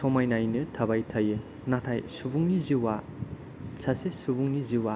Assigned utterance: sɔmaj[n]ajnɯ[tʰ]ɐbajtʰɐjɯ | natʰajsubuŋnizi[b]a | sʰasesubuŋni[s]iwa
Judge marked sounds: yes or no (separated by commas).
yes, yes, no, no